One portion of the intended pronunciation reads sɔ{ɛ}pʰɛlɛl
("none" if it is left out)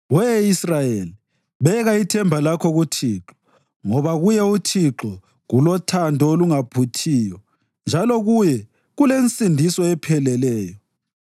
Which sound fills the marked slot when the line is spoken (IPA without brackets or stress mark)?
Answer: ɛ